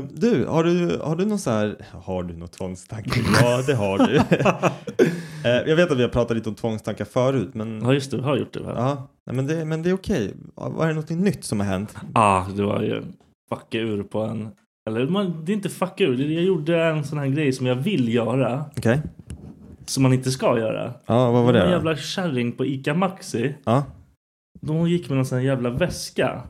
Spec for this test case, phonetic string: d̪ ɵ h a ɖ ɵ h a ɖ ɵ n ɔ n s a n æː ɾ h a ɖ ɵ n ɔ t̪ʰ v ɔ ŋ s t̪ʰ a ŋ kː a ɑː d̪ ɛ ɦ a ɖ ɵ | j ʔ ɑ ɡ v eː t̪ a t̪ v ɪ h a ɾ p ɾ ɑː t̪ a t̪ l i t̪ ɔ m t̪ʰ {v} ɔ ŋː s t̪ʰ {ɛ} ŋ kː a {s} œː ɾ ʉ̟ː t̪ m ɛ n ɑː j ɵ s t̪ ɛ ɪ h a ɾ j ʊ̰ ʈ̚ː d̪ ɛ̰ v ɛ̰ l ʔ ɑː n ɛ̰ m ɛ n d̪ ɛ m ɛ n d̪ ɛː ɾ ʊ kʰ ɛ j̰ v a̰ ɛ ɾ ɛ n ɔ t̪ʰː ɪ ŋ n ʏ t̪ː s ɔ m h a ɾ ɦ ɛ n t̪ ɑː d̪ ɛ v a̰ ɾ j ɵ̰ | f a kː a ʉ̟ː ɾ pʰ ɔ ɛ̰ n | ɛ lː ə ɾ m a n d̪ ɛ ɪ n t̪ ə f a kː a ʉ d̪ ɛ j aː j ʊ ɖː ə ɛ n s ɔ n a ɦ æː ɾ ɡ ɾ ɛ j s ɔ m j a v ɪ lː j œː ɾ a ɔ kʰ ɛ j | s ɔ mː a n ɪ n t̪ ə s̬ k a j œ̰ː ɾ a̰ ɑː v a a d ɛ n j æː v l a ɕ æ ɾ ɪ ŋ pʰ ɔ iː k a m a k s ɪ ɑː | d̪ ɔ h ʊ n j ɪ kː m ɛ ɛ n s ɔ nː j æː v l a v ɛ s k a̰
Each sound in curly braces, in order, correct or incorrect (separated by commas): correct, incorrect, incorrect